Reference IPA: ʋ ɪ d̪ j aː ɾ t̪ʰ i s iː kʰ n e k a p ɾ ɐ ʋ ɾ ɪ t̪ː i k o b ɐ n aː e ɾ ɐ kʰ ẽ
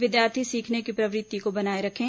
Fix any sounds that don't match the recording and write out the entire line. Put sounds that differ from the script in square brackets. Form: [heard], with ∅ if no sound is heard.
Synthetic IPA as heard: ʋ ɪ d̪ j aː ɾ t̪ʰ i s iː kʰ n e k [i] p ɾ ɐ ʋ ɾ ɪ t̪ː i k o b ɐ n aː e ɾ ɐ kʰ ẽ